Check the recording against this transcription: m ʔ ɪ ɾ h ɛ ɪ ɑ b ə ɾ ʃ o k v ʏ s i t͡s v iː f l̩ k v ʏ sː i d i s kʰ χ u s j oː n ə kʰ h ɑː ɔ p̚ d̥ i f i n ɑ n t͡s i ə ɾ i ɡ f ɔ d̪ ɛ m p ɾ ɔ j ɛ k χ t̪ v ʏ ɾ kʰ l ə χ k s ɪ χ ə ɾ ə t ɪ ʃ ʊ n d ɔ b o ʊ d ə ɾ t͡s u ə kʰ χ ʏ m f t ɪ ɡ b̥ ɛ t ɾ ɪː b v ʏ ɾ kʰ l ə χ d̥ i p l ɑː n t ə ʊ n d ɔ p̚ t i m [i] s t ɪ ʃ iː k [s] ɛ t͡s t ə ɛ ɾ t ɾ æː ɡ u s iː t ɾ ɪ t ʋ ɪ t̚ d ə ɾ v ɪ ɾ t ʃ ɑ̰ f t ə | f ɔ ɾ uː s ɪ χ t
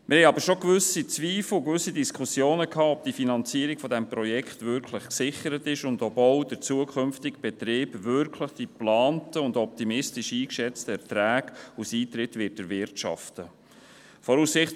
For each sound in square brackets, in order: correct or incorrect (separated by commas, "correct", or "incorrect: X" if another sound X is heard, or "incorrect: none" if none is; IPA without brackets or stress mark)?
incorrect: ɪ, incorrect: ʃ